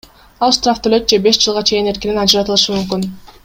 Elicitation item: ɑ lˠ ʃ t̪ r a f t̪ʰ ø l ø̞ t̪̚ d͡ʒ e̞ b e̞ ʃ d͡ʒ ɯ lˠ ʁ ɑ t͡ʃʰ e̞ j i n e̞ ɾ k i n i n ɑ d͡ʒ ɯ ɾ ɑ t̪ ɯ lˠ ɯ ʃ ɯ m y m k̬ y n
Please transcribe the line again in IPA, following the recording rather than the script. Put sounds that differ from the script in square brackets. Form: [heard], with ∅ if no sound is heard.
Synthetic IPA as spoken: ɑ lˠ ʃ t̪ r a f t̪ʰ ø l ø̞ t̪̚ d͡ʒ e̞ b e̞ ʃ d͡ʒ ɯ lˠ ʁ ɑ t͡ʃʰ e̞ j i n e̞ ɾ k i n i n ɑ d͡ʒ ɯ ɾ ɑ t̪ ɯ lˠ ɯ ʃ ɯ m y m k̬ y n